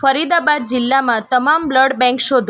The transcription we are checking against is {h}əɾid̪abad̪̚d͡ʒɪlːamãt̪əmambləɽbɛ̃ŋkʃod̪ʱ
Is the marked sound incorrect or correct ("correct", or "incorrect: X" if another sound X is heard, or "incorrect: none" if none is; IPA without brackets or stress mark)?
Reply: incorrect: f